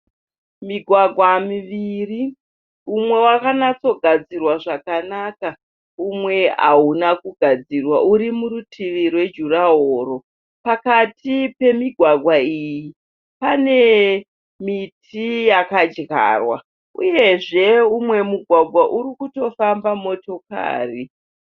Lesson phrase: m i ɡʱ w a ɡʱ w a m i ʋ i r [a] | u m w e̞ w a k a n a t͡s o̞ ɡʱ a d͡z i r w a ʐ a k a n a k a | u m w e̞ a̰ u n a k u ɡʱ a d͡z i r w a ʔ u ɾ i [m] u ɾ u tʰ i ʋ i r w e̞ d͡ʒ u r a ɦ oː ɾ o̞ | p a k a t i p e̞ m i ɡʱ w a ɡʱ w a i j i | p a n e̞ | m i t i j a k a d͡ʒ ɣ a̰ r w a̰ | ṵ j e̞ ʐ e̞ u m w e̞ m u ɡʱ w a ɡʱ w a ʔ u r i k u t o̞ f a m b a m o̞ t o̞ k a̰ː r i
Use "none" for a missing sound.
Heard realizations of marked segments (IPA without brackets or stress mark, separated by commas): i, m